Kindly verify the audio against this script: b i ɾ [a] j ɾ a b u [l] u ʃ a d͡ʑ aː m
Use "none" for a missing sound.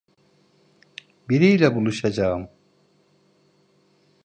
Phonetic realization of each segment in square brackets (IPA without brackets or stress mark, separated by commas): i, l